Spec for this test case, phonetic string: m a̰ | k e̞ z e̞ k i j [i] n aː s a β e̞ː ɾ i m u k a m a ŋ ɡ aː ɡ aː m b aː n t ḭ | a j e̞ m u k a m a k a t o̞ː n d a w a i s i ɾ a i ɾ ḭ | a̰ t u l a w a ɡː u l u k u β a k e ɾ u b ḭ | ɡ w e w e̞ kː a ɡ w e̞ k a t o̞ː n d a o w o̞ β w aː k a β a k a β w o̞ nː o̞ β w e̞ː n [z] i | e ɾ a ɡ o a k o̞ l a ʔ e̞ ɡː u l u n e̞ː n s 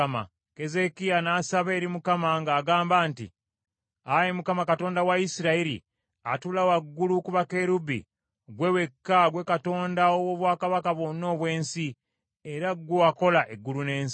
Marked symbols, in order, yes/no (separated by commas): no, no